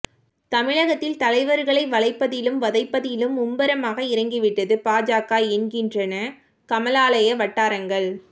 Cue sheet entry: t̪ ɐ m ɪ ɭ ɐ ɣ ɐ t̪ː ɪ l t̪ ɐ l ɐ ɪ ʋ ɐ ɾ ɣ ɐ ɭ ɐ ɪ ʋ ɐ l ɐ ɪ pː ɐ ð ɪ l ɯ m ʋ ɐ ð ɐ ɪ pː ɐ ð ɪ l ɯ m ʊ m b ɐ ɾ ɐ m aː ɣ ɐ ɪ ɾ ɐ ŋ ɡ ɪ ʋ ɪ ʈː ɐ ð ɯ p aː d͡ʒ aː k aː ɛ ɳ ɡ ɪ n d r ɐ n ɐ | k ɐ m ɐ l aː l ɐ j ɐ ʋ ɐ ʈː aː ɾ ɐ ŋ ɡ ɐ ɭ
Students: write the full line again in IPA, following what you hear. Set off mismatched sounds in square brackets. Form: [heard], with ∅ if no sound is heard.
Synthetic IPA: t̪ ɐ m ɪ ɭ ɐ ɣ ɐ t̪ː ɪ l t̪ ɐ l ɐ ɪ ʋ ɐ ɾ ɣ ɐ ɭ ɐ ɪ ʋ ɐ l ɐ ɪ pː ɐ ð ɪ l ɯ m ʋ ɐ ð ɐ ɪ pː ɐ ð ɪ l ɯ m ʊ m b ɐ ɾ ɐ m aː ɣ ɐ ɪ ɾ ɐ ŋ ɡ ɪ ʋ ɪ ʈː ɐ ð ɯ p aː d͡ʒ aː k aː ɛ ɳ ɡ ɪ n d r ɐ n ɐ | k ɐ m ɐ l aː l ɐ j ɐ ʋ ɐ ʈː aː ɾ ɐ ŋ ɡ ɐ ɭ